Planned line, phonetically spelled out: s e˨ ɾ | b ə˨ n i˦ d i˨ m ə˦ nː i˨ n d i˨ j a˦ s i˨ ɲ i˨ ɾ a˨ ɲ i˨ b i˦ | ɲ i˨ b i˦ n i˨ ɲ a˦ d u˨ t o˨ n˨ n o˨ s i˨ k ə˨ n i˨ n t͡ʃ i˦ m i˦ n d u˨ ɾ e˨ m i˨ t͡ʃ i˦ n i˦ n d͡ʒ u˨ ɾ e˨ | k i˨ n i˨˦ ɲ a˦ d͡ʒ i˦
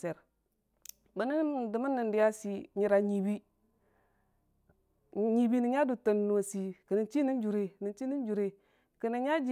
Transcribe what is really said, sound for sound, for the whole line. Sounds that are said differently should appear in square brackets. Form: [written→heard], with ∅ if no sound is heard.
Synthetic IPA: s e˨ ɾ | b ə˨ n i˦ d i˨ m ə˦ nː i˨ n d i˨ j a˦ s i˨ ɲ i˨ ɾ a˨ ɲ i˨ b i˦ | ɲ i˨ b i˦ n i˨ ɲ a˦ d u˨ t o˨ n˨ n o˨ s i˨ k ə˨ n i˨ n t͡ʃ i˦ [m→n] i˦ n [d→d͡ʒ] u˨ ɾ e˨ [m→n] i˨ t͡ʃ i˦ n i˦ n d͡ʒ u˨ ɾ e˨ | k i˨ n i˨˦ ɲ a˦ d͡ʒ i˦

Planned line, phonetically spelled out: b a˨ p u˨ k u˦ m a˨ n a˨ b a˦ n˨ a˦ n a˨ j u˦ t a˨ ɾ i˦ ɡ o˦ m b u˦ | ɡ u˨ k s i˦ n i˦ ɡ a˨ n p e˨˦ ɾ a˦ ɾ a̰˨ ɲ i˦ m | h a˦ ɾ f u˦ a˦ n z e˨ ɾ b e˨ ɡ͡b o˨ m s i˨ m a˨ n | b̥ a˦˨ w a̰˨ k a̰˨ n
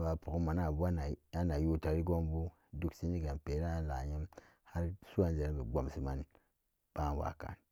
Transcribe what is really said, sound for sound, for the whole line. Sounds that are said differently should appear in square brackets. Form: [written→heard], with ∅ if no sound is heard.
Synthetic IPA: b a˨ p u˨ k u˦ m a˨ n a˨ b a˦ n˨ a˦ n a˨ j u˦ t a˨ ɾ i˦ ɡ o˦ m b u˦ | [ɡ→d] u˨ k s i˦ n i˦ ɡ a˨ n p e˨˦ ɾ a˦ [ɾ→l] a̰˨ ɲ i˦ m | h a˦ ɾ [f→s] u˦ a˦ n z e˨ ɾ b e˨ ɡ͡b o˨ m s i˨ m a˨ n | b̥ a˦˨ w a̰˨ k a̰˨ n

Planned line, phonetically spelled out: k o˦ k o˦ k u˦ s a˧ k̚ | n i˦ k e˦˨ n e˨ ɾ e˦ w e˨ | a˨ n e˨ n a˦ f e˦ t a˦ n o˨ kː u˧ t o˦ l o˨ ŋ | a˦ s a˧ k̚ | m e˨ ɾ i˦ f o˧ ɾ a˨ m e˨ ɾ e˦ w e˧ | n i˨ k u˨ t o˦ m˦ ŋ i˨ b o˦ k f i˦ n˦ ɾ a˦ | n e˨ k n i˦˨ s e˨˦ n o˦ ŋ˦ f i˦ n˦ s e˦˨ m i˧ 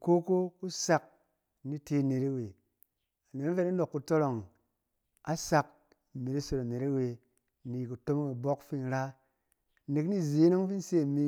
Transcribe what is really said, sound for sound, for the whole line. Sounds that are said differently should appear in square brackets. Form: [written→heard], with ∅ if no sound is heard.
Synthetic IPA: k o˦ k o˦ k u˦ s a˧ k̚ | n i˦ [k→t] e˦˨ n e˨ ɾ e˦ w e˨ | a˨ n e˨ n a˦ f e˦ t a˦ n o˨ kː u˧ t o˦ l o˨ ŋ | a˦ s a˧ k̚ | m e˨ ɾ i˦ [f→s] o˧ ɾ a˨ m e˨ ɾ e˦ w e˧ | n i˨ k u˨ t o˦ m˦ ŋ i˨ b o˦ k f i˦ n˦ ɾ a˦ | n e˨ k n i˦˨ [s→z] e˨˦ n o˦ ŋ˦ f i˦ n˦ s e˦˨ m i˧

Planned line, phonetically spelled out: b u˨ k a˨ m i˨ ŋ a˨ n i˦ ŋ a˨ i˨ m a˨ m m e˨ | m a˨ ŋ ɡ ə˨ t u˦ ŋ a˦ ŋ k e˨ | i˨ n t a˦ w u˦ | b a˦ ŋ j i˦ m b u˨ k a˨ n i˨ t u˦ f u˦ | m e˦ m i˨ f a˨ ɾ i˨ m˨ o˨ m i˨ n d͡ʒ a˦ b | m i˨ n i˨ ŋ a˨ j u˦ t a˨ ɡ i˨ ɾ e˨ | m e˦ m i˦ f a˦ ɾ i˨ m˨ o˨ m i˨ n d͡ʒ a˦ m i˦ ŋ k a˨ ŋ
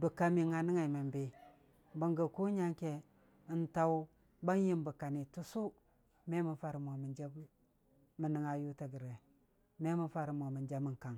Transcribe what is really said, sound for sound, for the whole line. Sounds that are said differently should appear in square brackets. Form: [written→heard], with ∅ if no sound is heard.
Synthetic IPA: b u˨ k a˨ m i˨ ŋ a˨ n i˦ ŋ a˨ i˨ m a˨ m [m→b] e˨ | [m→b] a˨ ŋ ɡ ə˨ [t→k] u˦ [ŋ→ɲ] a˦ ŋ k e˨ | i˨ n t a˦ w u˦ | b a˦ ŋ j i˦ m b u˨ k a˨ n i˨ t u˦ [f→s] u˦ | m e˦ m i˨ f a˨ ɾ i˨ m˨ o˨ m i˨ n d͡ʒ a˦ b | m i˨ n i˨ ŋ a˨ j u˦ t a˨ ɡ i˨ ɾ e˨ | m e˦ m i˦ f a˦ ɾ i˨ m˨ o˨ m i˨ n d͡ʒ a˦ m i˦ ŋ k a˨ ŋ

